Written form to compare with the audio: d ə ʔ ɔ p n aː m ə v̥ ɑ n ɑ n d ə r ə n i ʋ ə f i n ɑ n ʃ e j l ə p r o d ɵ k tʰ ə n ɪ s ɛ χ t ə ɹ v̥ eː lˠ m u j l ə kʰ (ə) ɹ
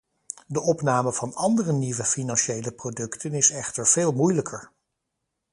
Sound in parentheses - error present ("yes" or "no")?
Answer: no